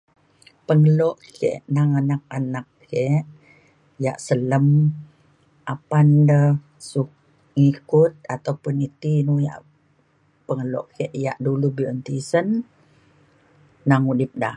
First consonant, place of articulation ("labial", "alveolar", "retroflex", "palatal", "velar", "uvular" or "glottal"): labial